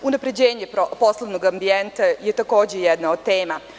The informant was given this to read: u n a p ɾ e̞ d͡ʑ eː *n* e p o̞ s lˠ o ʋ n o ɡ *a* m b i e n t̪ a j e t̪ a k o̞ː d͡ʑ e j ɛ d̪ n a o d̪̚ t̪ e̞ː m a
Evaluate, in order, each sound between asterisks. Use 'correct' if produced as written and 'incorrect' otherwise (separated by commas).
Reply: incorrect, correct